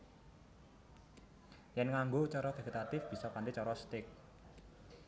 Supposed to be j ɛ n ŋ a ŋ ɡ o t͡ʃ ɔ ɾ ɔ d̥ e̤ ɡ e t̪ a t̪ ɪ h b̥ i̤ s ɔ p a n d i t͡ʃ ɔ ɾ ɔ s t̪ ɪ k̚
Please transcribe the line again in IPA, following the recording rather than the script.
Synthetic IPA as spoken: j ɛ n ŋ a ŋ ɡ o t͡ʃ ɔ ɾ ɔ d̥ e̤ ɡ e t̪ a t̪ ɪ f b̥ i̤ s ɔ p a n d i t͡ʃ ɔ ɾ ɔ s t̪ ɪ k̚